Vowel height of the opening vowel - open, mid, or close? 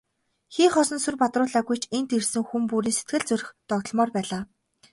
close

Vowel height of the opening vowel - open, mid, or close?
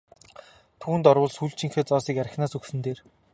close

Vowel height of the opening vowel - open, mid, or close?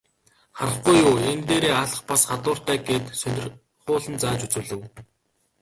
open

